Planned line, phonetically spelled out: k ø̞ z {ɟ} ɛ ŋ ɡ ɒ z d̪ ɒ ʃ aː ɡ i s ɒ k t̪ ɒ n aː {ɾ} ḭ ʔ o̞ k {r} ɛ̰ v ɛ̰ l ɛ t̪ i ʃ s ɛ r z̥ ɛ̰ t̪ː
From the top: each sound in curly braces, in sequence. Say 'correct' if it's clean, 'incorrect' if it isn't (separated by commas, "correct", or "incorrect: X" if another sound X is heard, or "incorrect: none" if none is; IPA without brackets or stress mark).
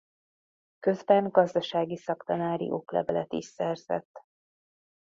incorrect: b, correct, incorrect: l